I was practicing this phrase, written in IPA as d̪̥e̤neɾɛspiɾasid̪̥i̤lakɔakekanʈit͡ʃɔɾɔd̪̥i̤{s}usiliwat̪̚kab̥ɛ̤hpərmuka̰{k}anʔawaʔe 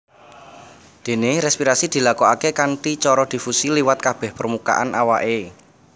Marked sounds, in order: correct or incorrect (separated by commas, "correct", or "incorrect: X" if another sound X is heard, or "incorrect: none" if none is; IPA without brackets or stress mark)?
incorrect: f, incorrect: ʔ